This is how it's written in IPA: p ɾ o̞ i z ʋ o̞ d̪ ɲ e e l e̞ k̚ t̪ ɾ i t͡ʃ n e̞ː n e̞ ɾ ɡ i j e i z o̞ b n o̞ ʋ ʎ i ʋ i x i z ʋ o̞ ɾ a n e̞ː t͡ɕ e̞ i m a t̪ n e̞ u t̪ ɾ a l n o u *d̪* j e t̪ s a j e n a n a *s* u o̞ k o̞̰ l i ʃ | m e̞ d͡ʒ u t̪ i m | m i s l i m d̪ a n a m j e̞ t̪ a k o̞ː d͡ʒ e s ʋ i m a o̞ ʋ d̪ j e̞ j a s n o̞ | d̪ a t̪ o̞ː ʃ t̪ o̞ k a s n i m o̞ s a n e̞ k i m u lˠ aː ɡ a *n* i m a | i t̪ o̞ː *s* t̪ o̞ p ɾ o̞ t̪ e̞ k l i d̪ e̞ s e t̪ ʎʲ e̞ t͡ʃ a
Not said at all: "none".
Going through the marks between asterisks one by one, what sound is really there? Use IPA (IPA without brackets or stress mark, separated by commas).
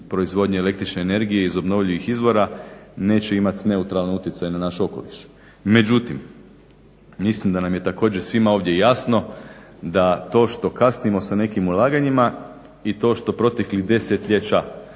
t̪, ʃ, ɲ, ʃ